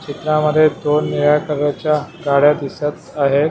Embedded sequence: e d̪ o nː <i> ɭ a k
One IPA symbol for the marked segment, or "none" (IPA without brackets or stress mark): i